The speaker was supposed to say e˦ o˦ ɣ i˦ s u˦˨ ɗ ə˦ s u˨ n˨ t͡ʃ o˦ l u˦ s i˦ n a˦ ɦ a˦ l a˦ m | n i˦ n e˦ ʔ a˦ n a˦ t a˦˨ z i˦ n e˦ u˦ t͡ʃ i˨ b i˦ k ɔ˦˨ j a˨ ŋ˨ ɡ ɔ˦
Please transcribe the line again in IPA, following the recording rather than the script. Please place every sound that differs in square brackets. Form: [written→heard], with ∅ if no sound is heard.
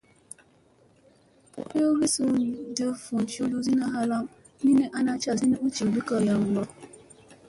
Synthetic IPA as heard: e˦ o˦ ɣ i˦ s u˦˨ [ɗ→d] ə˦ [s→f] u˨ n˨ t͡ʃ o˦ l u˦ [s→z] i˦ n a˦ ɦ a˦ l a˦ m | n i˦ n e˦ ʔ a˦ n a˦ [t→t͡ʃ] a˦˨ z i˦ n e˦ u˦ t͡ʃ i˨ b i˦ k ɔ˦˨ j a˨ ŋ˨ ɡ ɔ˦